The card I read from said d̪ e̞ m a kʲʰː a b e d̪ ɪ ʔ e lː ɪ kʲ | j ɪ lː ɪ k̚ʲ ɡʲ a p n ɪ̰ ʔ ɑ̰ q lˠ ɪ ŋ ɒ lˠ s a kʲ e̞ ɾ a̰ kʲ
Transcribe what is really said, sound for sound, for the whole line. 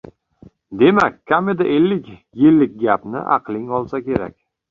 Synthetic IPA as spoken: d̪ e̞ m a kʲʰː a m e d̪ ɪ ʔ e lː ɪ kʲ | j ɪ lː ɪ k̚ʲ ɡʲ a p n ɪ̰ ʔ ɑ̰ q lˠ ɪ ŋ ɒ lˠ s a kʲ e̞ ɾ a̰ kʲ

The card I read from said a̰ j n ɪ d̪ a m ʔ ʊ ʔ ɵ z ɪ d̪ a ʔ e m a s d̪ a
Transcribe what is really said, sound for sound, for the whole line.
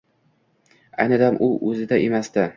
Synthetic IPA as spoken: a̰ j n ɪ d̪ a m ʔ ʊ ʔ ɵ z ɪ d̪ a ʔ e m a s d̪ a

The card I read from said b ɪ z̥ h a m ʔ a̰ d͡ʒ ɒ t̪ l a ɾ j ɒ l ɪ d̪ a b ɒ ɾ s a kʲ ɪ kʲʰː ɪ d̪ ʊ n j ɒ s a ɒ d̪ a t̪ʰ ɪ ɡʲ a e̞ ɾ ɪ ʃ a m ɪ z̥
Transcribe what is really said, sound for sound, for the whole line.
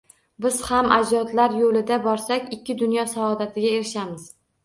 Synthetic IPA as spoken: b ɪ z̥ h a m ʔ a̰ d͡ʒ ɒ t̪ l a ɾ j o l ɪ d̪ a b ɒ ɾ s a kʲ ɪ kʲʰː ɪ d̪ ʊ n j ɒ s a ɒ d̪ a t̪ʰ ɪ ɡʲ a e̞ ɾ ɪ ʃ a m ɪ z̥

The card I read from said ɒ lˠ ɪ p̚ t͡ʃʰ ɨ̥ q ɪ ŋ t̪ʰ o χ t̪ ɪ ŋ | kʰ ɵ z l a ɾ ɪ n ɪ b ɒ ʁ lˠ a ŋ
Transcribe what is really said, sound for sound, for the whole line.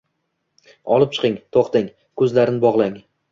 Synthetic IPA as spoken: ɒ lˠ ɪ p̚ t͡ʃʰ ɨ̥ q ɪ ŋ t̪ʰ o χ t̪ ɪ ŋ | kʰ ɵ z l a ɾ ɪ n ɪ b ɒ ʁ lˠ a ŋ

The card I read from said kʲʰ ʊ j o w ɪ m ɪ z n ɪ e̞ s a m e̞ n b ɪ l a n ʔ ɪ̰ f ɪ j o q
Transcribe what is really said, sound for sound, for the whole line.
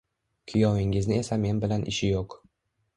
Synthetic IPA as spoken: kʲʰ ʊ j ɒ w ɪ ŋ ɪ z n ɪ e̞ s a m e̞ n b ɪ l a n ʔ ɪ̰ ʃ ɪ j o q

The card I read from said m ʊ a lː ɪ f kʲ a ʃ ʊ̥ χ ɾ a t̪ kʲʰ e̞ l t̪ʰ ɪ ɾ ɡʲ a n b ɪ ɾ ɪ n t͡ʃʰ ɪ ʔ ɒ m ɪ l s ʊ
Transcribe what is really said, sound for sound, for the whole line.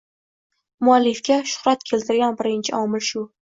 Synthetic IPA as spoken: m ʊ a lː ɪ f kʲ a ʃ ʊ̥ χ ɾ a t̪ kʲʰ e̞ l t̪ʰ ɪ ɾ ɡʲ a n b ɪ ɾ ɪ n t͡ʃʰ ɪ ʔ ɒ m ɪ l ʃ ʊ

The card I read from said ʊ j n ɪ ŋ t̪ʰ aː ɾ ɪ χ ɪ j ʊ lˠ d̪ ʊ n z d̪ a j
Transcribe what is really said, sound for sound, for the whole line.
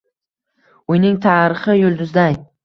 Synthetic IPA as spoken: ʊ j n ɪ ŋ t̪ʰ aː ɾ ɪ χ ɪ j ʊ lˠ d̪ ʊ z d̪ a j

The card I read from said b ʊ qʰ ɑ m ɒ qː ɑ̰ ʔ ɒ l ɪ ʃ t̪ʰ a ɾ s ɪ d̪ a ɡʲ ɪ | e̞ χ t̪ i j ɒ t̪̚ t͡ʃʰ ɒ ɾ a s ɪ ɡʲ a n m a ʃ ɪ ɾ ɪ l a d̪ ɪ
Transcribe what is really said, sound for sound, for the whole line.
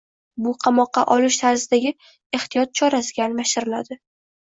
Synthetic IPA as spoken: b ʊ qʰ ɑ m ɒ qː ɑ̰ ʔ ɒ l ɪ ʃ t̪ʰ a ɾ z ɪ d̪ a ɡʲ ɪ | e̞ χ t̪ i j ɒ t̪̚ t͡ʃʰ ɒ ɾ a s ɪ ɡʲ a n m a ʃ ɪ ɾ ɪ l a d̪ ɪ

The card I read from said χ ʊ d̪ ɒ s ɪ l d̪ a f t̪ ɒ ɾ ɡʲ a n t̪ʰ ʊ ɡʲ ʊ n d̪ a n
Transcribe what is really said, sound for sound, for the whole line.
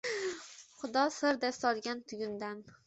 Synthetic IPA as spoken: χ ʊ d̪ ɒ s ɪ ɾ d̪ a s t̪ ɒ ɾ ɡʲ a n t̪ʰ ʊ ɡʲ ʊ n d̪ a n

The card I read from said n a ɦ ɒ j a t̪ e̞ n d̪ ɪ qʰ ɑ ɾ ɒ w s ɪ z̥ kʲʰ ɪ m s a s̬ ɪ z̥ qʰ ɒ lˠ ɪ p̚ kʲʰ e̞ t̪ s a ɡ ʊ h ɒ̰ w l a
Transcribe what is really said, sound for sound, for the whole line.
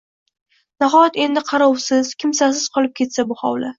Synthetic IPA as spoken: n a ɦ ɒ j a t̪ e̞ n d̪ ɪ qʰ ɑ ɾ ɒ w s ɪ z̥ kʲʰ ɪ m s a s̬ ɪ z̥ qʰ ɒ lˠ ɪ p̚ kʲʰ e̞ t̪ s a b ʊ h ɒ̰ w l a

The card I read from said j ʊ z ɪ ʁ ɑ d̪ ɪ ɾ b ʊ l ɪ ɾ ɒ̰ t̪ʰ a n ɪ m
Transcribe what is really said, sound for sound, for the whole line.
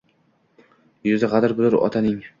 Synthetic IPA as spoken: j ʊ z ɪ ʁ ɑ d̪ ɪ ɾ b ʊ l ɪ ɾ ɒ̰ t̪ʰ a n ɪ ŋ

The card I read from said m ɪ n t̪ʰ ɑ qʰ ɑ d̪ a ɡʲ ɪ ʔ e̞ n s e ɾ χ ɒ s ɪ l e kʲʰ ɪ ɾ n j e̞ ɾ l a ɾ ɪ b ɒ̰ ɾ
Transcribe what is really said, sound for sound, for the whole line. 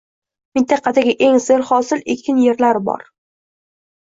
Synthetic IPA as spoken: m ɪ n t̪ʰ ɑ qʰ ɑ d̪ a ɡʲ ɪ ʔ e̞ ŋ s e ɾ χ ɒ s ɪ l e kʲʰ ɪ n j e̞ ɾ l a ɾ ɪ b ɒ̰ ɾ

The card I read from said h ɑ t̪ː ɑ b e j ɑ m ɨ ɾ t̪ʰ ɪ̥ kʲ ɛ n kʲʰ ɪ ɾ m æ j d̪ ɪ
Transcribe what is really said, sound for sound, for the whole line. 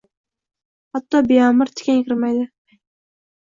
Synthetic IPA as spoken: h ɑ t̪ː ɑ b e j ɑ m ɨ ɾ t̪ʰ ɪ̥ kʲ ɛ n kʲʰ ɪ ɾ m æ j d̪ ɪ

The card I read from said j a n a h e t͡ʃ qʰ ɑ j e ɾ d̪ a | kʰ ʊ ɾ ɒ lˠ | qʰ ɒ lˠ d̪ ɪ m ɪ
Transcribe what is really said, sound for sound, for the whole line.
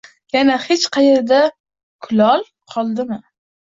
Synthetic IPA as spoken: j a n a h e t͡ʃ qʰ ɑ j e ɾ d̪ a | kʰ ʊ l ɒ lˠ | qʰ ɒ lˠ d̪ ɪ m ɪ

